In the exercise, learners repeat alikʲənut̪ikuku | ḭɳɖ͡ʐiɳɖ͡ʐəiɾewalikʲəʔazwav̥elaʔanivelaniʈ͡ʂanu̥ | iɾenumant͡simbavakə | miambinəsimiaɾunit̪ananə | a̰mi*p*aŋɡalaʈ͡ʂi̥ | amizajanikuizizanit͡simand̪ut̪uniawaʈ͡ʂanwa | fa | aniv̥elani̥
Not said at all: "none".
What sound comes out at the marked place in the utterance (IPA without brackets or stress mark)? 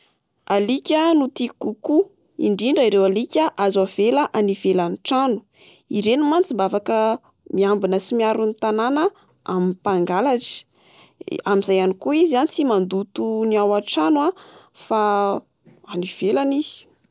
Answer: p